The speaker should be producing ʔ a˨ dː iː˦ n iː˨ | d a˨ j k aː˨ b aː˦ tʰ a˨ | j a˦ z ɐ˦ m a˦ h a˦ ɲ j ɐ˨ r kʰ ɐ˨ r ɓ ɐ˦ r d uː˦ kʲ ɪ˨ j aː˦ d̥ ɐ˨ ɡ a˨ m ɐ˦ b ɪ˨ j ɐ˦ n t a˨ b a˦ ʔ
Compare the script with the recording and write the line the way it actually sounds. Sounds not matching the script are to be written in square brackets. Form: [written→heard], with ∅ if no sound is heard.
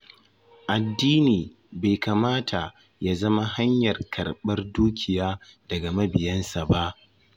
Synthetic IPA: ʔ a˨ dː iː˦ n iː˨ | [d→b] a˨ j k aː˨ [b→m] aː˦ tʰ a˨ | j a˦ z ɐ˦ m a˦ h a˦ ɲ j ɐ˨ r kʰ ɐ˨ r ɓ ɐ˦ r d uː˦ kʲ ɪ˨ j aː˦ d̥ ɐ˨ ɡ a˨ m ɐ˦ b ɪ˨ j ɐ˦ n [t→s] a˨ b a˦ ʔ